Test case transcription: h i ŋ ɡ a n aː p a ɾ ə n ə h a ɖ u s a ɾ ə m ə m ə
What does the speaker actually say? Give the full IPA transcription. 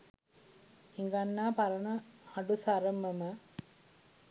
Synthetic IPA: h i ŋ ɡ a nː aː p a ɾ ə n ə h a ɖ u s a ɾ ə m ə m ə